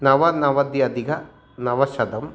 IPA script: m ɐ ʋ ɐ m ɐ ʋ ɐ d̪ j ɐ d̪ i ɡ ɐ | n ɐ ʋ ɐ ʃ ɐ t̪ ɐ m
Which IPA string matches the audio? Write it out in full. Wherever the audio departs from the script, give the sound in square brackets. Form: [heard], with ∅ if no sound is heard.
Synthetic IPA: [n] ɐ ʋ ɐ [n] ɐ ʋ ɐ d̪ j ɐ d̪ i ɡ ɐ | n ɐ ʋ ɐ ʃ ɐ [d̪] ɐ m